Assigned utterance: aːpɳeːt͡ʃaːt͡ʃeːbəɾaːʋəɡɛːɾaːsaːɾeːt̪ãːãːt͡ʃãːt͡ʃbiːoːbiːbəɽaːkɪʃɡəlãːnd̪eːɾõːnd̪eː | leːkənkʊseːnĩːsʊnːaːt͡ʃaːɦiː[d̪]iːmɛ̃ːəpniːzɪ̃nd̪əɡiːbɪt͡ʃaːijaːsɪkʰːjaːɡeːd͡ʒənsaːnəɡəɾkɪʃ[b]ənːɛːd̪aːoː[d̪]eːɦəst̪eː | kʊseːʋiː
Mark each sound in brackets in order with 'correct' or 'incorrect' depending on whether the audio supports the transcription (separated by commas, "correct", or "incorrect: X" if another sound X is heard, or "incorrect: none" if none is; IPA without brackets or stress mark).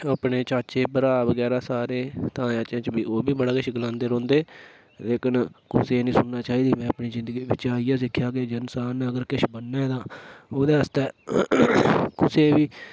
correct, correct, correct